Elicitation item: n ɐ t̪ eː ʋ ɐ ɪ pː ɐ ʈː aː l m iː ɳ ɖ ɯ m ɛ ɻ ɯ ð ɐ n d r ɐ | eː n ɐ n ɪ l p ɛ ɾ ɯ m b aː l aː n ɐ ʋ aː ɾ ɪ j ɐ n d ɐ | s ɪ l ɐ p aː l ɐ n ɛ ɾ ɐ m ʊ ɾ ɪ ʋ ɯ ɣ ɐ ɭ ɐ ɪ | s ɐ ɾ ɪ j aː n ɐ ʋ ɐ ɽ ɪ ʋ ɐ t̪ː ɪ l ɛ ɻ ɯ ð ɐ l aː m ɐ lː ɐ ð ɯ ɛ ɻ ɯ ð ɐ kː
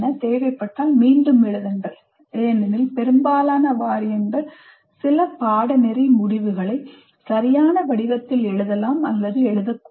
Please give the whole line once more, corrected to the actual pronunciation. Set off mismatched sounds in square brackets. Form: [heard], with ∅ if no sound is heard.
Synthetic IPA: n ɐ t̪ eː ʋ ɐ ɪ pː ɐ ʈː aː l m iː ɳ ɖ ɯ m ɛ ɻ ɯ ð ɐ n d r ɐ | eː n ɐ n ɪ l p ɛ ɾ ɯ m b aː l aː n ɐ ʋ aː ɾ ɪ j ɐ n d ɐ | s ɪ l ɐ p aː [ɽ] ɐ n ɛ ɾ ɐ m ʊ [ɽ] ɪ ʋ ɯ ɣ ɐ ɭ ɐ ɪ | s ɐ ɾ ɪ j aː n ɐ ʋ ɐ ɽ ɪ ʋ ɐ t̪ː ɪ l ɛ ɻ ɯ ð ɐ l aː m ɐ lː ɐ ð ɯ ɛ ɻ ɯ ð ɐ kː

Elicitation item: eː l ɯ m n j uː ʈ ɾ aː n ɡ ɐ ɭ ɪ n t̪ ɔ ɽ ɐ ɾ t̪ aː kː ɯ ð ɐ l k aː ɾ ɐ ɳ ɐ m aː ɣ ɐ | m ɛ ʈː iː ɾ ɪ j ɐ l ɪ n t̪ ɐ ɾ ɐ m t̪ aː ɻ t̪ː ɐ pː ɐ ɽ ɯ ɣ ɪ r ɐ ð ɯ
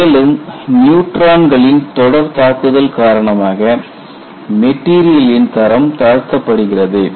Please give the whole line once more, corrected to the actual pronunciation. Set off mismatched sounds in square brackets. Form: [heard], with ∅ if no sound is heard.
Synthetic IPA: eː l ɯ m n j uː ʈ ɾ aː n ɡ ɐ ɭ ɪ n t̪ ɔ ɽ ɐ ɾ t̪ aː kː ɯ ð ɐ l k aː ɾ ɐ ɳ ɐ m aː ɣ ɐ | m ɛ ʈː iː ɾ ɪ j ɐ l ɪ n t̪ ɐ ɾ ɐ m t̪ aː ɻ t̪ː ɐ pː ɐ ɽ ɯ ɣ ɪ r ɐ ð ɯ

